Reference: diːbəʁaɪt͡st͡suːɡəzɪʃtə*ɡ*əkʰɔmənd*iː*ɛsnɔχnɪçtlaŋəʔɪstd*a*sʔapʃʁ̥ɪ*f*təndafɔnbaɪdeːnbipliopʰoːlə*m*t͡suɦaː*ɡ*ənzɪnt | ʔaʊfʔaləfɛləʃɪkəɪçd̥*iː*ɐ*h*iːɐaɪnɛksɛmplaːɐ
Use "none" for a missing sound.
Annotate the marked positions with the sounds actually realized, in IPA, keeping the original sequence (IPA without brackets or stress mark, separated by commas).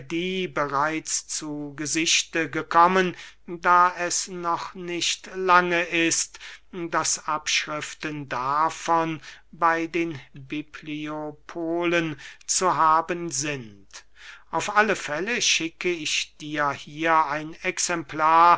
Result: ɡ, aː, a, f, n, b, iː, h